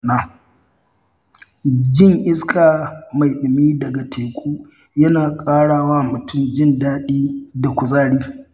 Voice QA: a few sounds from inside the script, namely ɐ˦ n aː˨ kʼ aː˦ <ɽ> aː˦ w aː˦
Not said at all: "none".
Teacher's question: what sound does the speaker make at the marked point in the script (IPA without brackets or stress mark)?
ɽ